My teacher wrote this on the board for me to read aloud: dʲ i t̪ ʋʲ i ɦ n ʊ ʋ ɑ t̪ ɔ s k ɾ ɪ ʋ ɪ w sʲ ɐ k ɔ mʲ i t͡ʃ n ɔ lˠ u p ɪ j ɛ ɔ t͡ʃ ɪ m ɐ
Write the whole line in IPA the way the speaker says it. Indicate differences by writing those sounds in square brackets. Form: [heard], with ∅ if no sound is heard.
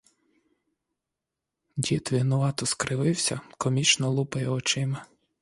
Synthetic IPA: dʲ i t̪ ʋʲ i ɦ n ʊ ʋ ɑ t̪ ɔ s k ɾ ɪ ʋ ɪ w sʲ ɐ k ɔ mʲ i t͡ʃ n ɔ lˠ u p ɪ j ɛ ɔ t͡ʃ ɪ m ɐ